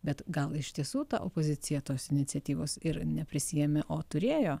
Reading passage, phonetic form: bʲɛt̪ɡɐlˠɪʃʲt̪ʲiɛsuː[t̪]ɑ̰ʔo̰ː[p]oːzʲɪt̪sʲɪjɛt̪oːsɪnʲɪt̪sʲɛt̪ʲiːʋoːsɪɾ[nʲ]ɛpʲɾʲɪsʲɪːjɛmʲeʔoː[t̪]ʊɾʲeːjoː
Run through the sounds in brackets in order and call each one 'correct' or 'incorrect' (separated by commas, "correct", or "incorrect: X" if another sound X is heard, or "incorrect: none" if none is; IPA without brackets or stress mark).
correct, correct, correct, correct